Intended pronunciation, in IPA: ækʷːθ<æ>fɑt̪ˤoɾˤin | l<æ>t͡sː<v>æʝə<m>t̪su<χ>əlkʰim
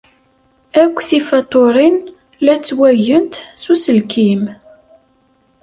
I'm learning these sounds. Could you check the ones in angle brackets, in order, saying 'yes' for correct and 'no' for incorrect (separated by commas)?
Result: no, yes, no, no, no